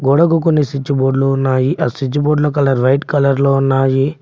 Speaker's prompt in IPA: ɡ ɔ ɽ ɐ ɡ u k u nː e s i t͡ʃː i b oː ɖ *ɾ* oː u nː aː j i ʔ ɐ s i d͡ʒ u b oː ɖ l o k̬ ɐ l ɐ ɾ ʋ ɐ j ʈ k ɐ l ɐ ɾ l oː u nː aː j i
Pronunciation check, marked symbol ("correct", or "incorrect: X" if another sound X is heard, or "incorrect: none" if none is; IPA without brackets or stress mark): incorrect: l